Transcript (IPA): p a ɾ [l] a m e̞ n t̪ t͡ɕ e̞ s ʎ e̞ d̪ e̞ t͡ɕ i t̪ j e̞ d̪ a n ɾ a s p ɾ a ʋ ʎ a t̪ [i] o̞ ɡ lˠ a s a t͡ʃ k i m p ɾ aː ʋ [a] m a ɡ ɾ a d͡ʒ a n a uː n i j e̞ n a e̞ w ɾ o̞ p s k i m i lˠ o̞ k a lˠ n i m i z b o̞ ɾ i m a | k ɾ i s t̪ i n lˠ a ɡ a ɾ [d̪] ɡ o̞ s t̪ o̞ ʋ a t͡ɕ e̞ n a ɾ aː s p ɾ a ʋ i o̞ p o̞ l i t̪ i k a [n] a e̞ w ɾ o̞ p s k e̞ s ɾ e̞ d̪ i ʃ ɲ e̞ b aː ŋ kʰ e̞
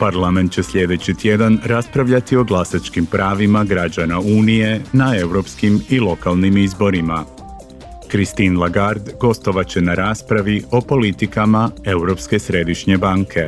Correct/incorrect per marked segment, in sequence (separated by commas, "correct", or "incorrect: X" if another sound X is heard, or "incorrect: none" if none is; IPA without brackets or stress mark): correct, correct, incorrect: i, correct, incorrect: m